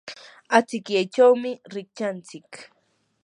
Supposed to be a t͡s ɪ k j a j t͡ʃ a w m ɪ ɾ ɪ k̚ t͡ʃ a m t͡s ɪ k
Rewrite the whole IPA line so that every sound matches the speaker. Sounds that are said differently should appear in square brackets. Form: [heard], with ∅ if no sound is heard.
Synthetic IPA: a t͡s ɪ k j a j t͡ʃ a w m ɪ ɾ ɪ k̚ t͡ʃ a [n] t͡s ɪ k